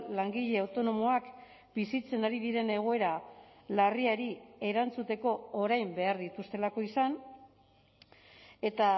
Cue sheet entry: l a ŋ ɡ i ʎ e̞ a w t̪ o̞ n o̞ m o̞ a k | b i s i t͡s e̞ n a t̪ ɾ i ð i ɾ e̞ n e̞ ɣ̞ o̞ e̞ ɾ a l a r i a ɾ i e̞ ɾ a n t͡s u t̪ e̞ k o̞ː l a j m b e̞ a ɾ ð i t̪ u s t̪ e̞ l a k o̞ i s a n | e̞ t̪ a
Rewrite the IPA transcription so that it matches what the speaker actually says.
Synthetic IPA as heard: l a ŋ ɡ i ʎ e̞ a w t̪ o̞ n o̞ m o̞ a k | b i s i t͡s e̞ n a ɾ i ð i ɾ e̞ n e̞ ɣ̞ o̞ e̞ ɾ a l a r i a ɾ i e̞ ɾ a n t͡s u t̪ e̞ k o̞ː ɾ a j m b e̞ a ɾ ð i t̪ u s t̪ e̞ l a k o̞ i s a n | e̞ t̪ a